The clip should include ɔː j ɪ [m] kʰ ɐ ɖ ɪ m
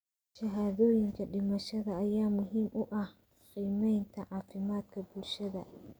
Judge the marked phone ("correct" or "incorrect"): incorrect